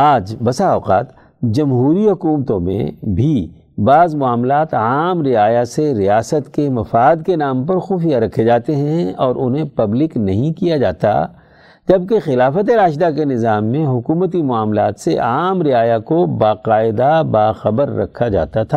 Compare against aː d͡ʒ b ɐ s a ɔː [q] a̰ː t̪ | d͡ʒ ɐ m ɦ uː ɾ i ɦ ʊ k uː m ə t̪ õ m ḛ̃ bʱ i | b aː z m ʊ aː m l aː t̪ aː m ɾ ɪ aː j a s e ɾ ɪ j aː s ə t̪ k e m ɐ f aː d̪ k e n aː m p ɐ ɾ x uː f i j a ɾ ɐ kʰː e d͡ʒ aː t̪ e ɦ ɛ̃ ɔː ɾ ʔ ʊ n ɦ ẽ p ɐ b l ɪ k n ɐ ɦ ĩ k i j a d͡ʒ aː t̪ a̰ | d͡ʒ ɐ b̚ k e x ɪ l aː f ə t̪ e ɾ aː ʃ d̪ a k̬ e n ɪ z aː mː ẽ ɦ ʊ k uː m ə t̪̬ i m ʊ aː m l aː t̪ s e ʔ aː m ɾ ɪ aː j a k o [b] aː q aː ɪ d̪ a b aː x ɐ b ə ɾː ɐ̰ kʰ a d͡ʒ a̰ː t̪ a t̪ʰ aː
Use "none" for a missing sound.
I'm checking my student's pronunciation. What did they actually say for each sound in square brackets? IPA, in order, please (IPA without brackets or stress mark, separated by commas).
q, b